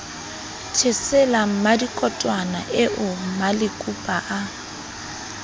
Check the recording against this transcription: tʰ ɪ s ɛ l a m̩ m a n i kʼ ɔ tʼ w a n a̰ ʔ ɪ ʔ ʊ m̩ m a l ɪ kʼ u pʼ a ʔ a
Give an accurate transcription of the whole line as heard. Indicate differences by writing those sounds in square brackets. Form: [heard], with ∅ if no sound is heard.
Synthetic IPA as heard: tʰ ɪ s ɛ l a m̩ m a [d] i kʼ ɔ tʼ w a n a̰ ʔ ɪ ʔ ʊ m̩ m a l ɪ kʼ u pʼ a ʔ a